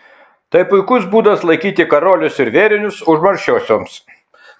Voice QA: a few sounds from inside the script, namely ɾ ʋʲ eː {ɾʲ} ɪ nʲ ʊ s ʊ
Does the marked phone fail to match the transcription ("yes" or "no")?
no